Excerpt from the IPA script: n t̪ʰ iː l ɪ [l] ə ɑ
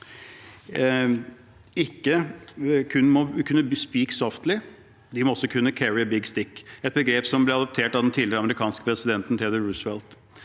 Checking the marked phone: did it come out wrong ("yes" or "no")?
yes